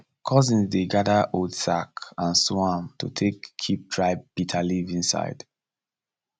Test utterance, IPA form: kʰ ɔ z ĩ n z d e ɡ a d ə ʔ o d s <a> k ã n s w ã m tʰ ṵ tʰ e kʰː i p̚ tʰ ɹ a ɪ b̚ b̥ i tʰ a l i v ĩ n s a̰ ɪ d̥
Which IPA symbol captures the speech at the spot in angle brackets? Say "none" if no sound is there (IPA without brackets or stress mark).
a